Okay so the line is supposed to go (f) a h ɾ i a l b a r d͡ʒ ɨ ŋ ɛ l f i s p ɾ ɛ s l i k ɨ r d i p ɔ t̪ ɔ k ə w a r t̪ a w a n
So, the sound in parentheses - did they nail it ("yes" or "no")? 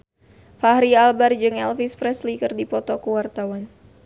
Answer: yes